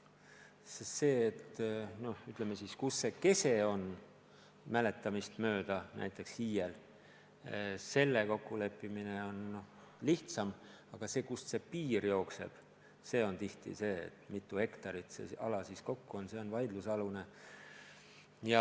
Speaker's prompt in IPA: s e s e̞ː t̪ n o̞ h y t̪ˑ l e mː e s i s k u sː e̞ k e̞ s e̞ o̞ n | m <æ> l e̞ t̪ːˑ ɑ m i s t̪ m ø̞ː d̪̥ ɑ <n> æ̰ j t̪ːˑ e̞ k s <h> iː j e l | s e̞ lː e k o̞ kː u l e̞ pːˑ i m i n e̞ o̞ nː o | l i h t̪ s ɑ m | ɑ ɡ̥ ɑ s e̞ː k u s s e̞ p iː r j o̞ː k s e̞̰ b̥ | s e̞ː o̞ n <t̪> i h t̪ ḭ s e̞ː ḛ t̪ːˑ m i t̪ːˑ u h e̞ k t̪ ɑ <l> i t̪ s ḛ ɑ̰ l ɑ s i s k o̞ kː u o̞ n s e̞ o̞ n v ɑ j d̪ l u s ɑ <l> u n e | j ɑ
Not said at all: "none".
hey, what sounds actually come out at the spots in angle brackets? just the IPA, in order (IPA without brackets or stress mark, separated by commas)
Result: æ, n, h, t̪, ɾ, l